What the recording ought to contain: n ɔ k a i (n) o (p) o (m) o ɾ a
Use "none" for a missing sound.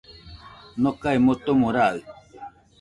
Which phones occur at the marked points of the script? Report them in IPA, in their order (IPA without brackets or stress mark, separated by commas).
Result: m, t, m